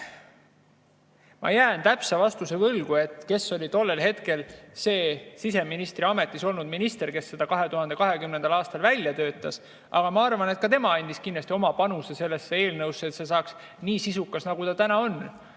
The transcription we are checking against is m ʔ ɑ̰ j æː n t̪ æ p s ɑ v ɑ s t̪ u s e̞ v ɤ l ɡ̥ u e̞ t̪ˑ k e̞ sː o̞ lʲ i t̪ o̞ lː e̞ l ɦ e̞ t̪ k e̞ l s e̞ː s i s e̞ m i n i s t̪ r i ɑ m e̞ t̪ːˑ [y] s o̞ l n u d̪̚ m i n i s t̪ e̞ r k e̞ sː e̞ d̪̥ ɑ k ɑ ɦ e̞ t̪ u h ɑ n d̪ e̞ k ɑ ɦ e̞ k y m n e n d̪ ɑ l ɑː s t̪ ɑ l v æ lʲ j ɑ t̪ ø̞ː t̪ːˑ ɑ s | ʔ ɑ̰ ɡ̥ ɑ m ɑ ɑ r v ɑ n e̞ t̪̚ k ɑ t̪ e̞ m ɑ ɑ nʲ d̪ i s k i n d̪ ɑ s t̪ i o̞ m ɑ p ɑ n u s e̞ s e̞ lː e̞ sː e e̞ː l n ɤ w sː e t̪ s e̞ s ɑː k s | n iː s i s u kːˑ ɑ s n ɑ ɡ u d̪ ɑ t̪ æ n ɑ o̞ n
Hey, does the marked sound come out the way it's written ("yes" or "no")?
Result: no